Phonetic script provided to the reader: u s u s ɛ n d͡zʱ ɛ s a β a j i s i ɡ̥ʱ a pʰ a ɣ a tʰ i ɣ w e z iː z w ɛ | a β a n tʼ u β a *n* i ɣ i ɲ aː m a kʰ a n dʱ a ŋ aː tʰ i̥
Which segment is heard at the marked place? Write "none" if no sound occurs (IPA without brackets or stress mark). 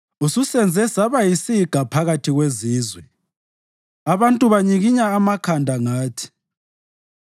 ɲ